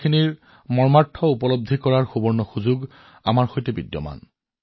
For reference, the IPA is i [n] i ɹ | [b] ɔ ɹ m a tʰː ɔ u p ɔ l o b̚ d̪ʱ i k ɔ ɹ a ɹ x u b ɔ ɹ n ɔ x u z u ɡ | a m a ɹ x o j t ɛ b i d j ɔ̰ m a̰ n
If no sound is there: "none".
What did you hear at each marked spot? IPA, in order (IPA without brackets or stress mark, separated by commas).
n, m